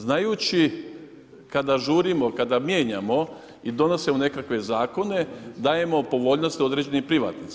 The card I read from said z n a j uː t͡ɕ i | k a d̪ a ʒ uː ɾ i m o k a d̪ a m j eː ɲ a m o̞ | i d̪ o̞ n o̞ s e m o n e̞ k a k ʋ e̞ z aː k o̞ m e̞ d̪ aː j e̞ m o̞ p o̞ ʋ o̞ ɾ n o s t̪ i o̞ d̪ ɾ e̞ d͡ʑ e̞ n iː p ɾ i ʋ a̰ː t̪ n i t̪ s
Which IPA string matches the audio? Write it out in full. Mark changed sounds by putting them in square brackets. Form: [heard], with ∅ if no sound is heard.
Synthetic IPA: z n a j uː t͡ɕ i | k a d̪ a ʒ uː ɾ i m o k a d̪ a m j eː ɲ a m o̞ | i d̪ o̞ n o̞ s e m o n e̞ k a k ʋ e̞ z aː k o̞ [n] e̞ d̪ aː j e̞ m o̞ p o̞ ʋ o̞ [ʎ] n o s t̪ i o̞ d̪ ɾ e̞ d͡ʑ e̞ n [i] p ɾ i ʋ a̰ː t̪ n i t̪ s

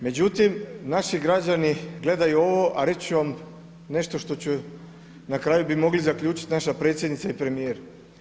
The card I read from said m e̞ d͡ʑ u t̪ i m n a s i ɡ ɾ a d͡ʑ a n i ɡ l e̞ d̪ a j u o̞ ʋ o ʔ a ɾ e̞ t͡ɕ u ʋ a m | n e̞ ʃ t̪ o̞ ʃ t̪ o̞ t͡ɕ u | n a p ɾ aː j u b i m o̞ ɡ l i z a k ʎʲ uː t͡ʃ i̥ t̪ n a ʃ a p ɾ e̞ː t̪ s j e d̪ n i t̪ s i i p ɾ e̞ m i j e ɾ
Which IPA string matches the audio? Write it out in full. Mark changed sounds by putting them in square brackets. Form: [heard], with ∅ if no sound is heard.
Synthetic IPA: m e̞ d͡ʑ u t̪ i m n a [ʃ] i ɡ ɾ a d͡ʑ a n i ɡ l e̞ d̪ a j u o̞ ʋ o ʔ a ɾ e̞ t͡ɕ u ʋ a m | n e̞ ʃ t̪ o̞ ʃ t̪ o̞ t͡ɕ u | n a [k] ɾ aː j u b i m o̞ ɡ l i z a k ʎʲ uː t͡ʃ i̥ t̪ n a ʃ a p ɾ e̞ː t̪ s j e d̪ n i t̪ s [a] i p ɾ e̞ m i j e ɾ

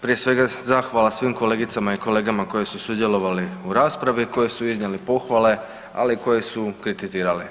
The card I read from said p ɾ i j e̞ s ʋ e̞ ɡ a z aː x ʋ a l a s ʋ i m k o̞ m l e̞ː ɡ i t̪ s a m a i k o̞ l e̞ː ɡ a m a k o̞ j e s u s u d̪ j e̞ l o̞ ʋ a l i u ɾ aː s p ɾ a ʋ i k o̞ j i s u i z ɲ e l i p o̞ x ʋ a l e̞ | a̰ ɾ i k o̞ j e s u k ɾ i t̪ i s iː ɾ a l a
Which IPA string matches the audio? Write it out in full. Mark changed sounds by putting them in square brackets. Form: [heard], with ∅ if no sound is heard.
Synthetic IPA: p ɾ i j e̞ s ʋ e̞ ɡ a z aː x ʋ a l a s ʋ i m k o̞ [∅] l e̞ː ɡ i t̪ s a m a i k o̞ l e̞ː ɡ a m a k o̞ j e s u s u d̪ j e̞ l o̞ ʋ a l i u ɾ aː s p ɾ a ʋ i k o̞ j [e] s u i z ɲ e l i p o̞ x ʋ a l e̞ | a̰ [l] i k o̞ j e s u k ɾ i t̪ i [z] iː ɾ a l [i]

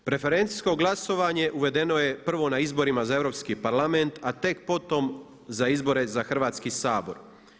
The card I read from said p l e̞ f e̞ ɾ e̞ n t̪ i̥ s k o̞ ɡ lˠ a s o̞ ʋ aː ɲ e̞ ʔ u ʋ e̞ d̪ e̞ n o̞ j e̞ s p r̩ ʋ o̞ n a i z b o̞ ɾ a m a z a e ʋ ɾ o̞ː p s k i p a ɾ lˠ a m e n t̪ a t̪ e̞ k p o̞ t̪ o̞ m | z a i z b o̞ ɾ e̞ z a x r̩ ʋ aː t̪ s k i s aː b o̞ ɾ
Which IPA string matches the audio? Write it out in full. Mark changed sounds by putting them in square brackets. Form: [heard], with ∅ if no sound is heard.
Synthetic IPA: p [ɾ] e̞ f e̞ ɾ e̞ n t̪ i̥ s k o̞ ɡ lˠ a s o̞ ʋ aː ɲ e̞ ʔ u ʋ e̞ d̪ e̞ n o̞ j e̞ [∅] p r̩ ʋ o̞ n a i z b o̞ ɾ [i] m a z a e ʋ ɾ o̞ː p s k i p a ɾ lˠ a m e n t̪ a t̪ e̞ k p o̞ t̪ o̞ m | z a i z b o̞ ɾ e̞ z a x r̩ ʋ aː t̪ s k i s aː b o̞ ɾ

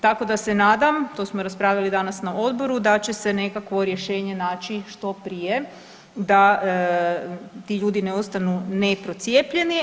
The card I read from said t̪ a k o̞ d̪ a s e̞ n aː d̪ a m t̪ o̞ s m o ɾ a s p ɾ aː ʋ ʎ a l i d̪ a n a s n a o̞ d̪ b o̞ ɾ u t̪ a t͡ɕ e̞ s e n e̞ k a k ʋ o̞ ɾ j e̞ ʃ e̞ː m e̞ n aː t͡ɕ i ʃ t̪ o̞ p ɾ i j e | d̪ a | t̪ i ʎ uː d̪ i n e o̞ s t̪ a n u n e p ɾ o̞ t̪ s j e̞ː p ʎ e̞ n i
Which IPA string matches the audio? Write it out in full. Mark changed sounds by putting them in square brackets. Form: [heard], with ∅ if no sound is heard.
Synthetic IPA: t̪ a k o̞ d̪ a s e̞ n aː d̪ a m t̪ o̞ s m o ɾ a s p ɾ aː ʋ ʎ a l i d̪ a n a s n a o̞ d̪ b o̞ ɾ u [d̪] a t͡ɕ e̞ s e n e̞ k a k ʋ o̞ ɾ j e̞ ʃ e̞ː [ɲ] e̞ n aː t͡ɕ i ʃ t̪ o̞ p ɾ i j e | d̪ a | t̪ i ʎ uː d̪ i n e o̞ s t̪ a n u n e p ɾ o̞ t̪ s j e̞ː p ʎ e̞ n i

